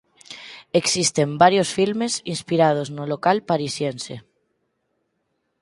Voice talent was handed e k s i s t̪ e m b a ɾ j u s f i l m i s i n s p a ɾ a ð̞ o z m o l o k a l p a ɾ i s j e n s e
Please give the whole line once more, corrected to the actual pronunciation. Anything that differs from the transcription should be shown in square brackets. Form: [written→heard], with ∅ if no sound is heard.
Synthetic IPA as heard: e k s i s t̪ e m b a ɾ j [u→o] s f i l m [i→e] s i n s p [a→i] ɾ a ð̞ o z [m→n] o l o k a l p a ɾ i s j e n s e

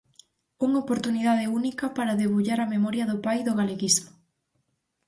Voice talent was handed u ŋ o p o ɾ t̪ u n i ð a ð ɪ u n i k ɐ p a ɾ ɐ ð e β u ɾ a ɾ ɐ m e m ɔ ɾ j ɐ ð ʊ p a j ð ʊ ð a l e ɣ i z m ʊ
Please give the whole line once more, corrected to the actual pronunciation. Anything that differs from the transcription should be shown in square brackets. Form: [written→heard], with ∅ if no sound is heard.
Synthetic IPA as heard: u ŋ o p o ɾ t̪ u n i ð a ð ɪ u n i k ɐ p a ɾ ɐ ð e β u [ɾ→ʎ] a ɾ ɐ m e m ɔ ɾ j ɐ ð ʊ p a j ð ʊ [ð→ɣ] a l e ɣ i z m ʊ

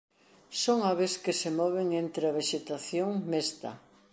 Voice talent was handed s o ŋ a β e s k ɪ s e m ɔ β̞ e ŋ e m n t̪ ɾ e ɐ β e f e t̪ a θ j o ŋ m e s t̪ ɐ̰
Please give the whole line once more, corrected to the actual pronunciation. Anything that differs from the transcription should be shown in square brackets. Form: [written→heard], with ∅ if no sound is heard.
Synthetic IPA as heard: s o ŋ a β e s k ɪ s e m ɔ β̞ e ŋ e [m→∅] n t̪ ɾ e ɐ β e [f→ʃ] e t̪ a θ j o ŋ m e s t̪ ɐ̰

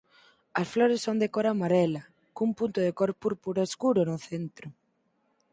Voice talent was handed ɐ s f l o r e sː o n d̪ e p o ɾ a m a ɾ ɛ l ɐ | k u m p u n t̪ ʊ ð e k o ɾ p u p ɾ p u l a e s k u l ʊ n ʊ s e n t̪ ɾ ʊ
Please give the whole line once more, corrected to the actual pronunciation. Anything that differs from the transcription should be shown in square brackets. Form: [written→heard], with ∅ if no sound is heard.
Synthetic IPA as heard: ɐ s f l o [r→ɾ] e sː o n d̪ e [p→k] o ɾ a m a ɾ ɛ l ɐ | k u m p u n t̪ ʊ ð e k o ɾ p u [p→∅] ɾ p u [l→ɾ] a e s k u [l→ɾ] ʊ n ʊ [s→θ] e n t̪ ɾ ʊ

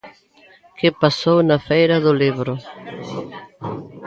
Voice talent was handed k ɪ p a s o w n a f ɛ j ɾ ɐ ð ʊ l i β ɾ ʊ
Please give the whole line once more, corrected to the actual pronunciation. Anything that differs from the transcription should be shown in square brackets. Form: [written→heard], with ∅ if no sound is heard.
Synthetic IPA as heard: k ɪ p a s o w n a f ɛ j ɾ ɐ ð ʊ l i β ɾ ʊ

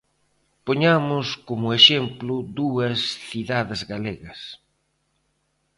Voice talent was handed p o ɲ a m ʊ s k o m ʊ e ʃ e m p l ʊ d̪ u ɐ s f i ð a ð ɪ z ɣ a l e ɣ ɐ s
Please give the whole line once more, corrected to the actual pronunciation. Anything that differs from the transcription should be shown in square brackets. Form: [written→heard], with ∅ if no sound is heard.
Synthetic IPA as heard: p o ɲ a m ʊ s k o m ʊ e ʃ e m p l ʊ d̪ u ɐ s [f→θ] i ð a ð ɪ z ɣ a l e ɣ ɐ s

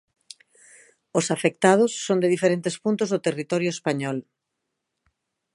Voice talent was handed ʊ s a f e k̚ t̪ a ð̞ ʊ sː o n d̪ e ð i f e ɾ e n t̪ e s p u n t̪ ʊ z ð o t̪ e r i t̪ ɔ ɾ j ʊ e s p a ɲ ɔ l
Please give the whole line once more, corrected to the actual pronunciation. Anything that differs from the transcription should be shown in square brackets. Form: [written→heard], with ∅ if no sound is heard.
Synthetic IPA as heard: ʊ s a f e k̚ t̪ a ð̞ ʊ sː o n d̪ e ð i f e ɾ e n t̪ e s p u n t̪ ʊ z ð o t̪ e r i t̪ ɔ ɾ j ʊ e s p a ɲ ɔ l

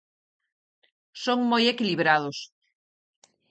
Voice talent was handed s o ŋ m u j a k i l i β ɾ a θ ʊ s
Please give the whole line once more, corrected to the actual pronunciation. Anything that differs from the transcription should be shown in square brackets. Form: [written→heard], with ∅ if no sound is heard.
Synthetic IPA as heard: s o ŋ m [u→o] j [a→e] k i l i β ɾ a [θ→ð] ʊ s

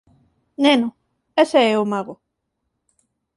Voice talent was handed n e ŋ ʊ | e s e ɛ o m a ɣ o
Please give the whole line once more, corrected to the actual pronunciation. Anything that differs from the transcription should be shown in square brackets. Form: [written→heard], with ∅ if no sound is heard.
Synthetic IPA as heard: n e [ŋ→n] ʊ | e s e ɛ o m a ɣ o

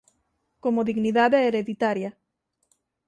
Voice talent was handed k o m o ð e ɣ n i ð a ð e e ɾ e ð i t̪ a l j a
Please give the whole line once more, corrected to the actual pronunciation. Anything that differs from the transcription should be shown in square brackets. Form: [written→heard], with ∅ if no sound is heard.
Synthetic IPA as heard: k o m o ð [e→i] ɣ n i ð a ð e e ɾ e ð i t̪ a [l→ɾ] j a

